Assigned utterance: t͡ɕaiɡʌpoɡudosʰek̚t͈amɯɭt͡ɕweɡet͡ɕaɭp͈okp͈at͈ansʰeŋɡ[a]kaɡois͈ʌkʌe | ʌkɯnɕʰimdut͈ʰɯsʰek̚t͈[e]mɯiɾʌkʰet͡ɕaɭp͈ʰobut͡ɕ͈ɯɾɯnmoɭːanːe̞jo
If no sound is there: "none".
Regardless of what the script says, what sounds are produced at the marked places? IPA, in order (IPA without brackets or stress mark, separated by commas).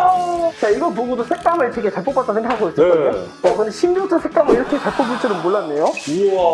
a, a